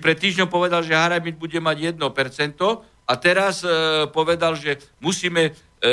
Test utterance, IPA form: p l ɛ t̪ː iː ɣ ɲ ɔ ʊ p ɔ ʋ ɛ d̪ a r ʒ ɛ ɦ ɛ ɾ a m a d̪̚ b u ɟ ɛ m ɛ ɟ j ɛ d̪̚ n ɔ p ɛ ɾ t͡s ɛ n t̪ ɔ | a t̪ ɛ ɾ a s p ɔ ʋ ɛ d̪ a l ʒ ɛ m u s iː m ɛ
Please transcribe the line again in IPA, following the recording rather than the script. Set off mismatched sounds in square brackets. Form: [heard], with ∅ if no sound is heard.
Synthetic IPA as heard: p [ɾ] ɛ t̪ː iː [ʒ] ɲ ɔ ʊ p ɔ ʋ ɛ d̪ a [l] ʒ ɛ ɦ [a] ɾ a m [i] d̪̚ b u ɟ ɛ m [a] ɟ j ɛ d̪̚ n ɔ p ɛ ɾ t͡s ɛ n t̪ ɔ | a t̪ ɛ ɾ a s p ɔ ʋ ɛ d̪ a l ʒ ɛ m u s iː m ɛ